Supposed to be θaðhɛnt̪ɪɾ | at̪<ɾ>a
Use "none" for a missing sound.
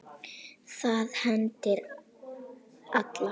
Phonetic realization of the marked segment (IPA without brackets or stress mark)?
l